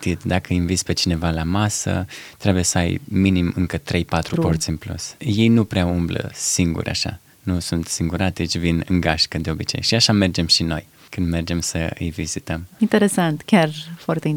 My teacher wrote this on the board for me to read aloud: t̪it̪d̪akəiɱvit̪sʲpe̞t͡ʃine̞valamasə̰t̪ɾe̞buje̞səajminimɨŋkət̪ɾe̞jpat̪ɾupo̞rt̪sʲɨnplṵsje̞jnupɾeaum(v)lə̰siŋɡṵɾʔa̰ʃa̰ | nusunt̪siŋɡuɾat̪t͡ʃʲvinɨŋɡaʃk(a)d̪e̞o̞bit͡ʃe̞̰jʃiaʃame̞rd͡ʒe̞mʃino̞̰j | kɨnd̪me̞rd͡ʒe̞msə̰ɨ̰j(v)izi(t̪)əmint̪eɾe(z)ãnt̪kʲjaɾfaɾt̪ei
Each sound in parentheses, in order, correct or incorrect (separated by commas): incorrect, incorrect, correct, correct, incorrect